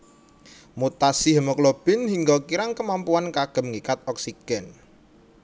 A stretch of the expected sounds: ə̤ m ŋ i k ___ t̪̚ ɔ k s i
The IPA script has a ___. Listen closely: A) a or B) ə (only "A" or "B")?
A